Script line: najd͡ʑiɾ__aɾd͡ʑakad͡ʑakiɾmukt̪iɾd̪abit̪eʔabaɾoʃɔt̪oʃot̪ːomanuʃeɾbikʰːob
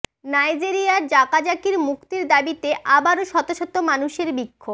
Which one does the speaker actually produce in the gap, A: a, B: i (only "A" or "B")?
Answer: B